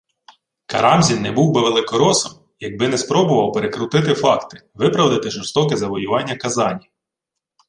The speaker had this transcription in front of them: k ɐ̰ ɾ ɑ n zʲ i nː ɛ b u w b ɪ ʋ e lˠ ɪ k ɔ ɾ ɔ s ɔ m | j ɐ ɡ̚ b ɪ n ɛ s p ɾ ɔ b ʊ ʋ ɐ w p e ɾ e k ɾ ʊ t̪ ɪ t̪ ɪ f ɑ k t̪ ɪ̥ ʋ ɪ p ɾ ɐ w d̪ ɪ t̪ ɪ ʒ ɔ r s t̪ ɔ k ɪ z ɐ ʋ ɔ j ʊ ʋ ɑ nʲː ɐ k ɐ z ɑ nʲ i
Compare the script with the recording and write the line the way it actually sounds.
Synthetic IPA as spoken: k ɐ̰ ɾ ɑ m zʲ i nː ɛ b u w b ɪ ʋ e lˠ ɪ k ɔ ɾ ɔ s ɔ m | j ɐ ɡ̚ b ɪ n ɛ s p ɾ ɔ b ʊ ʋ ɐ w p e ɾ e k ɾ ʊ t̪ ɪ t̪ ɪ f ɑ k t̪ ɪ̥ ʋ ɪ p ɾ ɐ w d̪ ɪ t̪ ɪ ʒ ɔ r s t̪ ɔ k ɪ z ɐ ʋ ɔ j ʊ ʋ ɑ nʲː ɐ k ɐ z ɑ nʲ i